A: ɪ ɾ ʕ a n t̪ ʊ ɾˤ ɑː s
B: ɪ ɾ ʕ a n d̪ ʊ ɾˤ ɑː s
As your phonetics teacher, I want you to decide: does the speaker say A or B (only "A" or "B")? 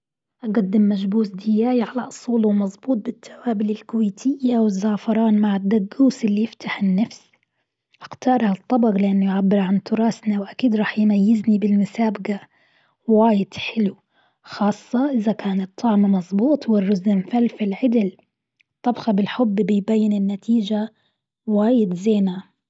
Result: A